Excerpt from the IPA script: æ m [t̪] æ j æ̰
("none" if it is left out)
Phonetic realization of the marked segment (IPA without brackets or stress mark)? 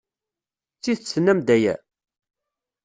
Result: d̪